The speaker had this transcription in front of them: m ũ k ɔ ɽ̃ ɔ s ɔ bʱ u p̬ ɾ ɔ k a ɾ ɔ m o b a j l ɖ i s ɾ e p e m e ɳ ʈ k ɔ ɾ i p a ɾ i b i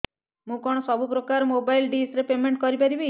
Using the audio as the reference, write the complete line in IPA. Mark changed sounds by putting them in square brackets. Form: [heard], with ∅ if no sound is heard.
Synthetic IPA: m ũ k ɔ ɽ̃ ɔ s ɔ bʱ u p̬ ɾ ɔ k a ɾ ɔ m o b a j l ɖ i s ɾ e p e m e ɳ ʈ k ɔ ɾ i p a ɾ i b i